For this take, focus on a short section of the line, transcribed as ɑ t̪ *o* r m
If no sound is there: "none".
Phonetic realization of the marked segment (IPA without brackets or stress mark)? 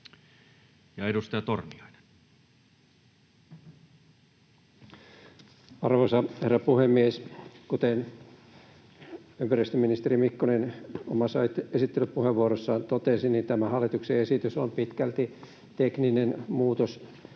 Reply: o